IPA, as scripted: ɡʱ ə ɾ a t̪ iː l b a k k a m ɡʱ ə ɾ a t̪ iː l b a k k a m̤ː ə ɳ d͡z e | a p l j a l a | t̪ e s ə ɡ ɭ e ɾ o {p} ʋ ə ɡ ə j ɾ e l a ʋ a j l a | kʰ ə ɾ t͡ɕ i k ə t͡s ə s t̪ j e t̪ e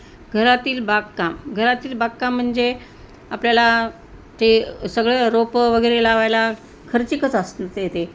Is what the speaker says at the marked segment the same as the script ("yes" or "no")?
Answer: yes